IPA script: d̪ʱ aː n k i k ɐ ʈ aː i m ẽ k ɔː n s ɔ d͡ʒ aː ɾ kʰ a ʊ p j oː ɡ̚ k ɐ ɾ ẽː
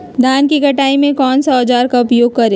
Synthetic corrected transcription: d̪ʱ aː n k i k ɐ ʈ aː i m ẽ k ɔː n s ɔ d͡ʒ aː ɾ k a ʊ p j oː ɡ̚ k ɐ ɾ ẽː

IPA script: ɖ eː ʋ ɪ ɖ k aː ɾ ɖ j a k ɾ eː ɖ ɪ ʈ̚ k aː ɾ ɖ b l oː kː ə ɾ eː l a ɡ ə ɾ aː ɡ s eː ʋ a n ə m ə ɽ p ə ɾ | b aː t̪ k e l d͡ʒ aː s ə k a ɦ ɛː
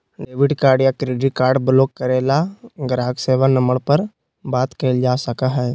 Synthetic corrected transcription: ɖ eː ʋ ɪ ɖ k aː ɾ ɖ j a k ɾ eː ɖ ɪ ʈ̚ k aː ɾ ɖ b l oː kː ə ɾ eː l a ɡ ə ɾ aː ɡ s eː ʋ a n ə m ə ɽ p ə ɾ | b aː t̪ k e l d͡ʒ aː s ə k a ɦ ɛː

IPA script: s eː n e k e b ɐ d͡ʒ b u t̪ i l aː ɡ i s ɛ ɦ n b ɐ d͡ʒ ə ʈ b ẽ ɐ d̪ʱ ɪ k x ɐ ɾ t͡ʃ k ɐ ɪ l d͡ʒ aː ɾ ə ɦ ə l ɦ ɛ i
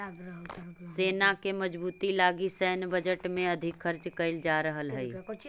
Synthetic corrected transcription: s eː n a k e m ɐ d͡ʒ b uː t̪ i l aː ɡ i s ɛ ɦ n b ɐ d͡ʒ ə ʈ m ẽ ɐ d̪ʱ ɪ k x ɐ ɾ t͡ʃ k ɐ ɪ l d͡ʒ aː ɾ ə ɦ ə l ɦ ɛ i

